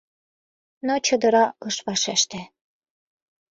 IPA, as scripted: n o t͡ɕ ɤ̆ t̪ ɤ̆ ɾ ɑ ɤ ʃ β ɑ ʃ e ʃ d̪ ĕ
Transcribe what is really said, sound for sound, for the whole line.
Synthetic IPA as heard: n o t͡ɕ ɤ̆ d̪ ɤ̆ ɾ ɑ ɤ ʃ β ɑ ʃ e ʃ t̪ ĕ